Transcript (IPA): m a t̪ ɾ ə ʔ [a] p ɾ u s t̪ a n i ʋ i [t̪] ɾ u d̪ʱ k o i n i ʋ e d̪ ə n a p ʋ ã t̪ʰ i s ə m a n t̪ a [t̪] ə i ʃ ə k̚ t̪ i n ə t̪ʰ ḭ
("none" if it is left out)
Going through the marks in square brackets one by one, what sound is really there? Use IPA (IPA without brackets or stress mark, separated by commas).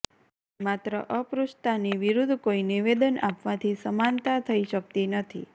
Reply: ə, none, t̪ʰ